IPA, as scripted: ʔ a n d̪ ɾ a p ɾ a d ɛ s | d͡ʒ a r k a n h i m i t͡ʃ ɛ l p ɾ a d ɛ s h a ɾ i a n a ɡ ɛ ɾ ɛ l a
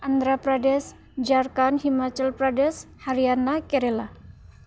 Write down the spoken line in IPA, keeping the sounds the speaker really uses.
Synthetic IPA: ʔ a n d̪ ɾ a p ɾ a d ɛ s | d͡ʒ a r k a n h i m a t͡ʃ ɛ l p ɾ a d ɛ s h a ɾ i a n a k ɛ ɾ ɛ l a

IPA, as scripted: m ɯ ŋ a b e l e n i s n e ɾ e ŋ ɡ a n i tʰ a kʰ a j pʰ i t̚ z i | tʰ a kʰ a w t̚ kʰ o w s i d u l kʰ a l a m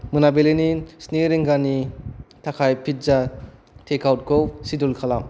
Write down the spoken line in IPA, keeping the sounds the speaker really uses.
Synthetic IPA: m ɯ n a b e l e n i s n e ɾ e ŋ ɡ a n i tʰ a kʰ a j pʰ i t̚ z a | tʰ e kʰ a w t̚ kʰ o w s i d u l kʰ a l a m

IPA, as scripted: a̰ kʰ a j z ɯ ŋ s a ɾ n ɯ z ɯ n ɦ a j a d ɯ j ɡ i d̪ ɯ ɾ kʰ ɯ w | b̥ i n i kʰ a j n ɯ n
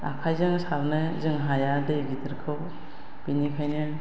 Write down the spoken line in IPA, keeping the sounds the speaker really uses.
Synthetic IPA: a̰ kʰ a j z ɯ ŋ s a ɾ n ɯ z ɯ ŋ ɦ a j a d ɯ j ɡ i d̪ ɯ ɾ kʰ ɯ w | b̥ i n i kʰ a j n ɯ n

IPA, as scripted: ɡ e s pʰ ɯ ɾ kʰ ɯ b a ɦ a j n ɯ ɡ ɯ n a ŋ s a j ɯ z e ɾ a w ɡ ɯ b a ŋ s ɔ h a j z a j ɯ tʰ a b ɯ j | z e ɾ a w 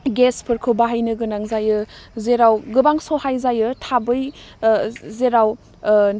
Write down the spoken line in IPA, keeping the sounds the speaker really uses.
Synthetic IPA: ɡ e s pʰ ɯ ɾ kʰ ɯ b a ɦ a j n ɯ ɡ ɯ n a ŋ z a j ɯ z e ɾ a w ɡ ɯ b a ŋ s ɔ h a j z a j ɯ tʰ a b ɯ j | z e ɾ a w

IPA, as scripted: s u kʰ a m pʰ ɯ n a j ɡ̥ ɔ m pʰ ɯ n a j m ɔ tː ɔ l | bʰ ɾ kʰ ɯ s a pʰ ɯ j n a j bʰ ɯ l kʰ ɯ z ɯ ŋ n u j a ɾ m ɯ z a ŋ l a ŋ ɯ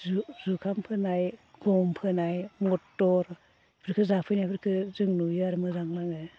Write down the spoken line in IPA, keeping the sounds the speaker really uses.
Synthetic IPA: z u kʰ a m pʰ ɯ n a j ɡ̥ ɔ m pʰ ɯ n a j m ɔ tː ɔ ɾ | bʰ ɾ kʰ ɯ z a pʰ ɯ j n a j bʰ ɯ ɾ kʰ ɯ z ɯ ŋ n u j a ɾ m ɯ z a ŋ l a ŋ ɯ

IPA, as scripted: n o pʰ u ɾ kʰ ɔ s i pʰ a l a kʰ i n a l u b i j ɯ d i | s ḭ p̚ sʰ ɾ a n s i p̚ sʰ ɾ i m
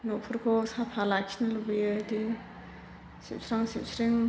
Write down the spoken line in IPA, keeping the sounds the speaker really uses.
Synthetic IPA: n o pʰ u ɾ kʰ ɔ s a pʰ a l a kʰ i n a l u b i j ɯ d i | s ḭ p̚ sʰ ɾ a ŋ s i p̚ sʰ ɾ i ŋ

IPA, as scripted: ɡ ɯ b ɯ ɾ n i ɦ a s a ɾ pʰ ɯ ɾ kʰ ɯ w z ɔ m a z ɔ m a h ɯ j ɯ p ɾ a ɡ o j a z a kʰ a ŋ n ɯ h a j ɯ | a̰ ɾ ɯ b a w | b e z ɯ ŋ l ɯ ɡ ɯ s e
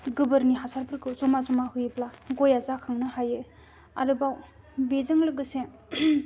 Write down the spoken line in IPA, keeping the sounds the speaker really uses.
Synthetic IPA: ɡ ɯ b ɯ ɾ n i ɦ a s a ɾ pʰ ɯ ɾ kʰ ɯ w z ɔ m a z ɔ m a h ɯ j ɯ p l a ɡ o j a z a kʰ a ŋ n ɯ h a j ɯ | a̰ ɾ ɯ b a w | b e z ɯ ŋ l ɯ ɡ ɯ s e

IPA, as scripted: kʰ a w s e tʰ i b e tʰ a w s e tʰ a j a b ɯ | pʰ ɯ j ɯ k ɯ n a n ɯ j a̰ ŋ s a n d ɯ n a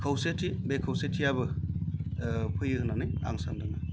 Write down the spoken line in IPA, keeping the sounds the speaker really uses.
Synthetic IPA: kʰ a w s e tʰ i b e kʰ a w s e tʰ i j a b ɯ | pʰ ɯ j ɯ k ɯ n a n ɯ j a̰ ŋ s a n d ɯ n a

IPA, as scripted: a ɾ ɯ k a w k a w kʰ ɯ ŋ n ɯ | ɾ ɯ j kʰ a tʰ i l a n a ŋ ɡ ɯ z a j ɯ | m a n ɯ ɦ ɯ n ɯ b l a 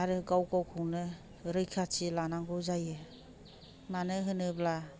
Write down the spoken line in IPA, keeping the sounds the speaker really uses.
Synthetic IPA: a ɾ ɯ ɡ a w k a w kʰ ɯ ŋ n ɯ | ɾ ɯ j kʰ a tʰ i l a n a ŋ ɡ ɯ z a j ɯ | m a n ɯ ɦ ɯ n ɯ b l a

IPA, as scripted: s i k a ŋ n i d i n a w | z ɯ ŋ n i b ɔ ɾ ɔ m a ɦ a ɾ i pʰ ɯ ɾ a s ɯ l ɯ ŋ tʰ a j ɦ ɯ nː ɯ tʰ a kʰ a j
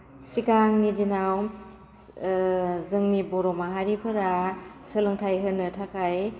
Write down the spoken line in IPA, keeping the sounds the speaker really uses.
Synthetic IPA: s i k a ŋ n i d i n a w | z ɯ ŋ n i b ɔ ɾ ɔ m a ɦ a ɾ i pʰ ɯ ɾ a s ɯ l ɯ ŋ tʰ a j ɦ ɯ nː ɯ tʰ a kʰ a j

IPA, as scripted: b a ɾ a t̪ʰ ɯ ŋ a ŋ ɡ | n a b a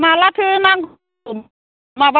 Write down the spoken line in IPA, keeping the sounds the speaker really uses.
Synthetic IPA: m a l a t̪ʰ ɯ n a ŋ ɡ | m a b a

